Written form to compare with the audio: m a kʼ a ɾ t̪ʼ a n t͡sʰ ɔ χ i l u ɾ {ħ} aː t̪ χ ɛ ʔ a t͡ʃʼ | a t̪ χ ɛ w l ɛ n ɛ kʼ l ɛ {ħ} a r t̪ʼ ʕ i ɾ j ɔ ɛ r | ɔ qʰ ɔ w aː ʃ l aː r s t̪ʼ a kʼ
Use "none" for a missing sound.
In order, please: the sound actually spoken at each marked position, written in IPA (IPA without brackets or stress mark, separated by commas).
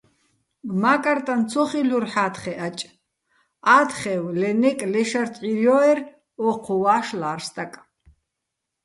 ħ, ʃ